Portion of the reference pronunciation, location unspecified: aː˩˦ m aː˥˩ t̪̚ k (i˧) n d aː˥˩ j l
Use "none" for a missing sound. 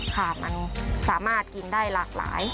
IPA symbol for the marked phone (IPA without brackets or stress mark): i˧